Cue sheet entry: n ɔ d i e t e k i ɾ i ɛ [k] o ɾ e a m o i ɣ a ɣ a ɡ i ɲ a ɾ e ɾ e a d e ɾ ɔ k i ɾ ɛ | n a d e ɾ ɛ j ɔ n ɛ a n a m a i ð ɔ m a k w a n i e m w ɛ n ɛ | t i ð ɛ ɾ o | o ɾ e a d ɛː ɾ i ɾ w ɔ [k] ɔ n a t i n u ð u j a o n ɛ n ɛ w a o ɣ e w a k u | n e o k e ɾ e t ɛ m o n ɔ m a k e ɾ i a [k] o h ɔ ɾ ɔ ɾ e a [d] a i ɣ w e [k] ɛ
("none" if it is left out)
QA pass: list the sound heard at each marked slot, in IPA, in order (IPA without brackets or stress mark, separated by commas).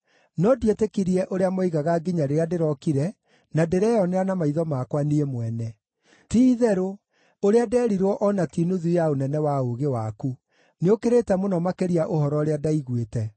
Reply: ʔ, ʔ, ʔ, d, t